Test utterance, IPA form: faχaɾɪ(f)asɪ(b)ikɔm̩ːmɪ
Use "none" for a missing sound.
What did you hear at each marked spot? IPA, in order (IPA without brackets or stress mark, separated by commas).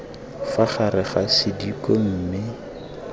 χ, d